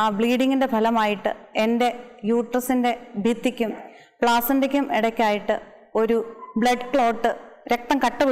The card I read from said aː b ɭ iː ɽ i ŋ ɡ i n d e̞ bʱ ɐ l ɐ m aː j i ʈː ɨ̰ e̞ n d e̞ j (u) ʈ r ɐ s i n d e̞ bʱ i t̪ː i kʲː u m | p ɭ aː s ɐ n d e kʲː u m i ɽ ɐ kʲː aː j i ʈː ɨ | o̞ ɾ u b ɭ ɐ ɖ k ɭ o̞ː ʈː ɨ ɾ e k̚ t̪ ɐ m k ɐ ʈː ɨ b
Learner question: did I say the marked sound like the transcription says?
no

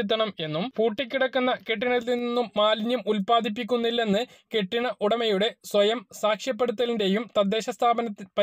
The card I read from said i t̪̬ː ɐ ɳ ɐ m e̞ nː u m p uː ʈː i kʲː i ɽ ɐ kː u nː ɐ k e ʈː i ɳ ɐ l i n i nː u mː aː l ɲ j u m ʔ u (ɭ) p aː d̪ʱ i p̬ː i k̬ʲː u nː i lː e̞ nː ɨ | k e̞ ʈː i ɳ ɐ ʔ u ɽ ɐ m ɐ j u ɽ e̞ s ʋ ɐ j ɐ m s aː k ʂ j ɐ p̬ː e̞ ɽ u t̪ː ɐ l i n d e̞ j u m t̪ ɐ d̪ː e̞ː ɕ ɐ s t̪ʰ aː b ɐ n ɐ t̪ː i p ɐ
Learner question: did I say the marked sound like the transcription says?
no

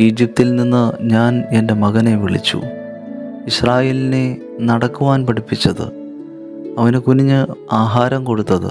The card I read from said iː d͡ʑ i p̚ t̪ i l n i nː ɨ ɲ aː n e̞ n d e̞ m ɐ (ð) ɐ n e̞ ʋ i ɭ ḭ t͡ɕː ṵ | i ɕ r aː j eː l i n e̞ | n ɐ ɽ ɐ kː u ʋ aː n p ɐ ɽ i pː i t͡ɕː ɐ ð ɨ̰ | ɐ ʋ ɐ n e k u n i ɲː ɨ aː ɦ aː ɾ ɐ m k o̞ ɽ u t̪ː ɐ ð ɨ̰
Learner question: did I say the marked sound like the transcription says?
no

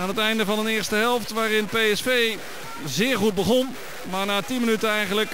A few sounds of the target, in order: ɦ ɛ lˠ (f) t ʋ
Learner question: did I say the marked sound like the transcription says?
yes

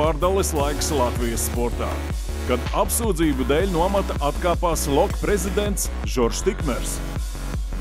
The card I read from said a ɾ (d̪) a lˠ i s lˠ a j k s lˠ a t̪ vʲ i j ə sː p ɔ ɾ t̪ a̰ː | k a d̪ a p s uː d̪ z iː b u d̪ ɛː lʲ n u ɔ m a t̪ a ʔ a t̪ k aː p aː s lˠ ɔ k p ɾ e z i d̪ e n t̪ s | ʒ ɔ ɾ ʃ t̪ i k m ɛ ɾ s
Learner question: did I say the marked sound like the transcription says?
yes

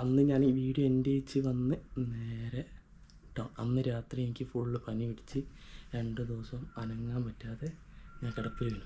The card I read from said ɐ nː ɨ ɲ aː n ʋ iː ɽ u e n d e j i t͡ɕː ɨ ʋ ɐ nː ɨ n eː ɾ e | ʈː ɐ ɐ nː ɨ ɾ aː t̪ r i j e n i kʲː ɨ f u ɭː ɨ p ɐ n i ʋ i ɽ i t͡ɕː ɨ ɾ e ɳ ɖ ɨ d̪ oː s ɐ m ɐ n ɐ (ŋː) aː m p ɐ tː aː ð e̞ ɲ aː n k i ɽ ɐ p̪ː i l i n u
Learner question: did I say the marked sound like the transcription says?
yes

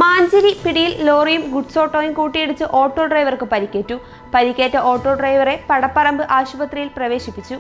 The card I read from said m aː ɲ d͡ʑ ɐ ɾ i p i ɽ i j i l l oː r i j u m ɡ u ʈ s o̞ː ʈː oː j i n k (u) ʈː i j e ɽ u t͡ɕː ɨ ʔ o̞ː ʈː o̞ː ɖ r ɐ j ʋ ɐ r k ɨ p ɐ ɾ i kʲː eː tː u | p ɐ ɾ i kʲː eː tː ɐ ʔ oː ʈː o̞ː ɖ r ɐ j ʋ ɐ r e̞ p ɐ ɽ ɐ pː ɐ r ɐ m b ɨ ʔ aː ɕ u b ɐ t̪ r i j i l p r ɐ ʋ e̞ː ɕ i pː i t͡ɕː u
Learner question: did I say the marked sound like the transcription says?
no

